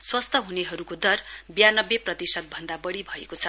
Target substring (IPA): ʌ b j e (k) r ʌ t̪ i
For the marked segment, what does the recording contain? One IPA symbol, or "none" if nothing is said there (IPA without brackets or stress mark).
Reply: p